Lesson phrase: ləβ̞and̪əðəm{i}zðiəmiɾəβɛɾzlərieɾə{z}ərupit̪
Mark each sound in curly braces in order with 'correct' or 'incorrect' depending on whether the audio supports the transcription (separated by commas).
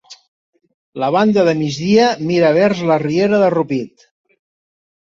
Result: correct, incorrect